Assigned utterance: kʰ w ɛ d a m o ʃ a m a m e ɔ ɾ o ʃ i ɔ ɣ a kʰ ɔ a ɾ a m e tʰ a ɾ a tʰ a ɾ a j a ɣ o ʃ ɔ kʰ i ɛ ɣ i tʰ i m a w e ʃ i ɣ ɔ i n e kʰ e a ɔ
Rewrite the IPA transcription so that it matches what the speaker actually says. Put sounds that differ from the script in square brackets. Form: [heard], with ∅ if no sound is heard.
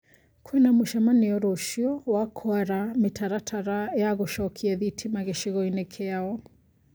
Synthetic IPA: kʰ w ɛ [n] a m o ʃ a m a [n] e ɔ ɾ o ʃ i ɔ [w] a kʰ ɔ a ɾ a m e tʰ a ɾ a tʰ a ɾ a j a ɣ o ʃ ɔ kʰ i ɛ [ð] i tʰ i m a [ɣ] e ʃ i ɣ ɔ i n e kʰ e a ɔ